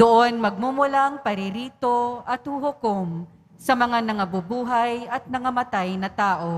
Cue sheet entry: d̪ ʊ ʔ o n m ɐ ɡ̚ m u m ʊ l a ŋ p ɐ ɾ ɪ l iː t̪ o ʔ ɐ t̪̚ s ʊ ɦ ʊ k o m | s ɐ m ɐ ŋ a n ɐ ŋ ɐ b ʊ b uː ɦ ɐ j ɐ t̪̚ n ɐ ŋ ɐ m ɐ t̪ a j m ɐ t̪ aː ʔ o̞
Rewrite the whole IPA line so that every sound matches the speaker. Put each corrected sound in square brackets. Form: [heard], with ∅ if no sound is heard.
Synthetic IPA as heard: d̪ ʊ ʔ o n m ɐ ɡ̚ m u m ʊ l a ŋ p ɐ ɾ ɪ [ɾ] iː t̪ o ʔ ɐ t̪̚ [h] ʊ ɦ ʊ k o m | s ɐ m ɐ ŋ a n ɐ ŋ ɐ b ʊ b uː ɦ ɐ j ɐ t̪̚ n ɐ ŋ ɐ m ɐ t̪ a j [n] ɐ t̪ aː ʔ o̞